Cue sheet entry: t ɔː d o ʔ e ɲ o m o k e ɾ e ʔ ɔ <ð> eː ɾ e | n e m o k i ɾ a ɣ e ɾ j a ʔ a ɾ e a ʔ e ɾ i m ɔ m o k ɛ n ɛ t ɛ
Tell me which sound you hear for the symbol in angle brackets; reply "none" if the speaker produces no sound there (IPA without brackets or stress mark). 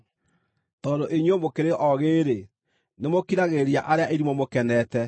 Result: ɣ